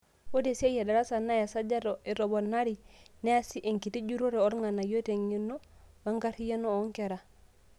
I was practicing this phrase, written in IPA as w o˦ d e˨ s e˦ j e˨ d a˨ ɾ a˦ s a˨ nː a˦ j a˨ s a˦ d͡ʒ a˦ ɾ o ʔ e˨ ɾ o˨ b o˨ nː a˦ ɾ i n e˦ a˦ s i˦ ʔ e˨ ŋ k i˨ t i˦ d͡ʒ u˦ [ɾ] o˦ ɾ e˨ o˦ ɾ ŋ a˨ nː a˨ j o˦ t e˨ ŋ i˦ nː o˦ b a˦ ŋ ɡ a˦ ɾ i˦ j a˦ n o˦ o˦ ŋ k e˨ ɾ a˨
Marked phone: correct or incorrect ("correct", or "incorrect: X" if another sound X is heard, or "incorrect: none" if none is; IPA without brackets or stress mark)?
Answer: correct